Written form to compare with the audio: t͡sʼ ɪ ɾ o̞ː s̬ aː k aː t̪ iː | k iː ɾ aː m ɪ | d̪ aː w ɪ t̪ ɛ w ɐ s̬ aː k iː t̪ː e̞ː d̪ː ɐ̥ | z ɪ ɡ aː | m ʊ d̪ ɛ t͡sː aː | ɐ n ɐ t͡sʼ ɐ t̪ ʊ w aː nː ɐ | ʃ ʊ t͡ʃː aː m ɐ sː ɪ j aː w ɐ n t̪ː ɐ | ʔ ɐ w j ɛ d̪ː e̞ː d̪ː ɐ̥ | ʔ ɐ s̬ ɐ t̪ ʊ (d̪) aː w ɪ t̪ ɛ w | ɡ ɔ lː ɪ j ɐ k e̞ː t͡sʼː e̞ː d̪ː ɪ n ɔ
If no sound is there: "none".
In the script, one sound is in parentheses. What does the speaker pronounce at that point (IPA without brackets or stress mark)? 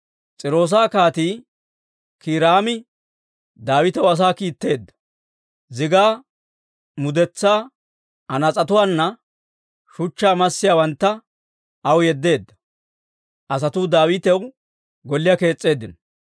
d̪